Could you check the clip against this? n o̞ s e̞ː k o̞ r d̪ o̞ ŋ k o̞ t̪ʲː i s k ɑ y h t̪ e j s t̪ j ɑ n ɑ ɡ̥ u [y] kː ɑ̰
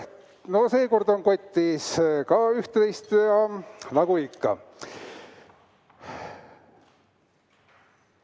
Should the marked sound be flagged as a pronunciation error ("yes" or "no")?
yes